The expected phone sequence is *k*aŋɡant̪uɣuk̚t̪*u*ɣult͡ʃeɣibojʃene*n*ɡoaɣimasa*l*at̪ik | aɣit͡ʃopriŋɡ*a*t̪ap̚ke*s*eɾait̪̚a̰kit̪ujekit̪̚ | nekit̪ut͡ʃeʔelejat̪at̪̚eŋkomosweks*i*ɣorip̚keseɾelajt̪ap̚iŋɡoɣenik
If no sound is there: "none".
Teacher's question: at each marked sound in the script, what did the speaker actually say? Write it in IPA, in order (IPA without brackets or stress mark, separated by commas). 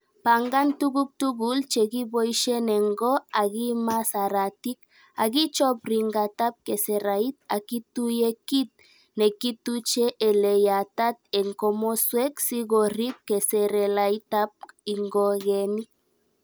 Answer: p, u, ŋ, ɾ, a, s, i